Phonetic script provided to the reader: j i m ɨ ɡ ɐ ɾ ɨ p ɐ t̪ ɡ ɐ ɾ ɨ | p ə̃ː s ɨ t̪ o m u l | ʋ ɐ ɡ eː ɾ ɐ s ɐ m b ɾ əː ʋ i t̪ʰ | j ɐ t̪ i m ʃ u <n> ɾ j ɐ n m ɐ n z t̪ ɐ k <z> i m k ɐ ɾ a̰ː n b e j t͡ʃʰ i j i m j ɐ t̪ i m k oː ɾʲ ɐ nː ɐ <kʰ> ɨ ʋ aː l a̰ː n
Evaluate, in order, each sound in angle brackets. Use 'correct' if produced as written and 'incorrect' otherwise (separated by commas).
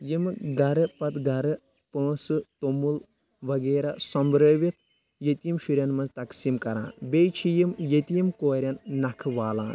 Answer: incorrect, incorrect, correct